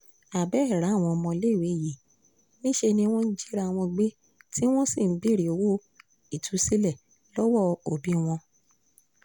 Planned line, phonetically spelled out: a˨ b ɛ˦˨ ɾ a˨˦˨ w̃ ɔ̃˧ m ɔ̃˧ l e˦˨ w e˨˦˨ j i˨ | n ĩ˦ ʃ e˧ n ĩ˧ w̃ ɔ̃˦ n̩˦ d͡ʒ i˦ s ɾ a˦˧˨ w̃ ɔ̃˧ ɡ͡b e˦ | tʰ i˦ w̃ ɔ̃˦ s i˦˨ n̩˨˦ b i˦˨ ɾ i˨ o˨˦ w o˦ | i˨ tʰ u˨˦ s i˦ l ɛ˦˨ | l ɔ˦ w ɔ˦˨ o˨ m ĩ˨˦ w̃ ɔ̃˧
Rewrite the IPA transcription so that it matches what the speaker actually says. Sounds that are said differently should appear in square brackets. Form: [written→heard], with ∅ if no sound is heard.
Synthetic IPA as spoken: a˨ b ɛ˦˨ ɾ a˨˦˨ w̃ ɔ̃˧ m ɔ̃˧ l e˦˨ w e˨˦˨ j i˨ | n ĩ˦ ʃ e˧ n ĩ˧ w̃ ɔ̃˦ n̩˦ d͡ʒ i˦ [s→∅] ɾ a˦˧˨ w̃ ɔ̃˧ ɡ͡b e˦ | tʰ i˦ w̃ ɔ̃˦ s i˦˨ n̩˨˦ b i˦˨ ɾ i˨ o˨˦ w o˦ | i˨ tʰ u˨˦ s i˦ l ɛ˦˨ | l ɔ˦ w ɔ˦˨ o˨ [m→b] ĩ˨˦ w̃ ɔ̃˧